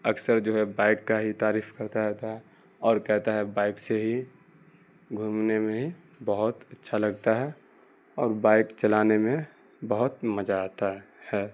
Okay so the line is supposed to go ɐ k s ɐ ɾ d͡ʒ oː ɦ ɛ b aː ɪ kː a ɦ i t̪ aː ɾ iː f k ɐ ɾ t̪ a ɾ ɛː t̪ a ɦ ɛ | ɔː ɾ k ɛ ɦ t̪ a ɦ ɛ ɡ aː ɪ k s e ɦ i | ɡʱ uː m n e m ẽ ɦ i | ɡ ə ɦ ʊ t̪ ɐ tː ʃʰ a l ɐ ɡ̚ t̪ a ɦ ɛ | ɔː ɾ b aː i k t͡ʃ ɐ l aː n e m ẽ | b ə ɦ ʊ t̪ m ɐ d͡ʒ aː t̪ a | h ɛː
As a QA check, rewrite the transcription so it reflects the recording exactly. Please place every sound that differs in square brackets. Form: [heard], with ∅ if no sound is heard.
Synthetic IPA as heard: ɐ k s [ə] ɾ d͡ʒ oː ɦ ɛ b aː ɪ kː a ɦ i t̪ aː ɾ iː f k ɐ ɾ t̪ a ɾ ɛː t̪ a ɦ ɛ | ɔː ɾ k ɛ ɦ t̪ a ɦ ɛ [b] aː ɪ k s e ɦ i | ɡʱ uː m n e m ẽ ɦ i | [b] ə ɦ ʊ t̪ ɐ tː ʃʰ a l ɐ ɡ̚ t̪ a ɦ ɛ | ɔː ɾ b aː [ɪ] k t͡ʃ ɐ l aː n e m ẽ | b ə ɦ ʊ t̪ m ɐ d͡ʒ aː t̪ a | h ɛː